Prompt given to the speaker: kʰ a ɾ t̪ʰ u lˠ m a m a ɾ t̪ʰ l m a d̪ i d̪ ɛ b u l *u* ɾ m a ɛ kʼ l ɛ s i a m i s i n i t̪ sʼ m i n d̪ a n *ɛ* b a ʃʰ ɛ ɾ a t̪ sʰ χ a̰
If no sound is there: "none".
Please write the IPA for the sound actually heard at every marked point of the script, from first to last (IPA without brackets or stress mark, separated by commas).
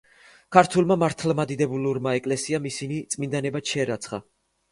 u, ɛ